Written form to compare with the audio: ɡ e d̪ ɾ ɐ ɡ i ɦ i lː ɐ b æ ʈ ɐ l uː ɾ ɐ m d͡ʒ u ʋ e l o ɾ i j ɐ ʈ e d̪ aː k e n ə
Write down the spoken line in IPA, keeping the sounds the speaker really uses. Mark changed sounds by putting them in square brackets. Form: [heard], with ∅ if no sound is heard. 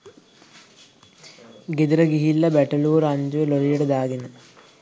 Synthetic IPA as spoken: ɡ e d̪ ɾ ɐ ɡ i ɦ i lː ɐ b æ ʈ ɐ l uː ɾ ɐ [ɲ] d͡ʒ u ʋ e l o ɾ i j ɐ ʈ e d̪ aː [ɡ] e n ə